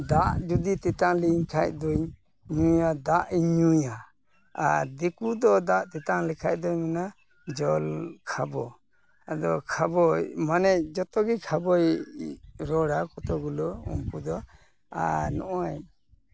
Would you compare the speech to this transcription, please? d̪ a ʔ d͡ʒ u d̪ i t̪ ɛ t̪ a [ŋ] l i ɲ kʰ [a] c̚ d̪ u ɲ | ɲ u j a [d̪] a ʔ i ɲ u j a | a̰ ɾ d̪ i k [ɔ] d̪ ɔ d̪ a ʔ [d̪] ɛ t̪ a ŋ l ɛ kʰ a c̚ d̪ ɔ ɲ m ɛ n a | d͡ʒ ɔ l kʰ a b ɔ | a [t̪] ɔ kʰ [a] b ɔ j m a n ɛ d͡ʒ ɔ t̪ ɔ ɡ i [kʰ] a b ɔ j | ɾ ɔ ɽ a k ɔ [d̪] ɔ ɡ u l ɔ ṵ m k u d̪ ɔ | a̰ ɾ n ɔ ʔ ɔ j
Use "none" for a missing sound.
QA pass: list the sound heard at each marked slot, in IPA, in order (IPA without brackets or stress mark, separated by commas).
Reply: ŋ, a, d̪, u, t̪, d̪, a, kʰ, t̪